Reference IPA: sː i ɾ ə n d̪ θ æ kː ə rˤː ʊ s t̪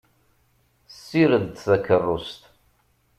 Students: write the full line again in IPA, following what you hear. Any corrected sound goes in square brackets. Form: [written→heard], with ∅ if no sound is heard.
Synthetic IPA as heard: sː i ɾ ə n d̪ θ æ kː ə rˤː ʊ s t̪